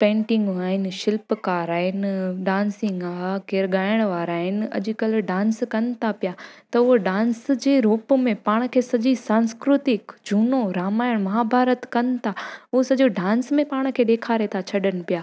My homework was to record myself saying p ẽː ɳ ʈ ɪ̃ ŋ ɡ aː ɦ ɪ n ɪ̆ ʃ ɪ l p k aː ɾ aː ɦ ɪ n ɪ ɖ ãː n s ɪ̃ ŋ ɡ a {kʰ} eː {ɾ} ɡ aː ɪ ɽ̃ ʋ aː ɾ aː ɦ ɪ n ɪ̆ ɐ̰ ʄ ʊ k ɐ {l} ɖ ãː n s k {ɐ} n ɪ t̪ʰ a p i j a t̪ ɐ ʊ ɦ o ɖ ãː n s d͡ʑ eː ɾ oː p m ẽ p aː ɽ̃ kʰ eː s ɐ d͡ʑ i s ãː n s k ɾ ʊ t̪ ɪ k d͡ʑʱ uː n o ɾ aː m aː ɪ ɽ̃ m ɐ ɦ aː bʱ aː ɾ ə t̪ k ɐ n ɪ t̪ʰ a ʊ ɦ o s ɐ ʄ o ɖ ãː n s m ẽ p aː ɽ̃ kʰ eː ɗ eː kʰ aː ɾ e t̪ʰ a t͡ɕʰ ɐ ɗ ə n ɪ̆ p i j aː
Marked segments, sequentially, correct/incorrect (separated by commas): incorrect, correct, correct, correct